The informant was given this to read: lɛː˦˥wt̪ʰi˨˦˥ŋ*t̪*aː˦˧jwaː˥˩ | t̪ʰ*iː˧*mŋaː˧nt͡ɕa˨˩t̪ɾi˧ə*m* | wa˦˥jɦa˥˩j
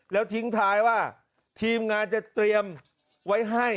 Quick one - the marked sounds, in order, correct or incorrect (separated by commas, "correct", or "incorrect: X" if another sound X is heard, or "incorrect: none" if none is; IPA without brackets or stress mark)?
incorrect: t̪ʰ, correct, correct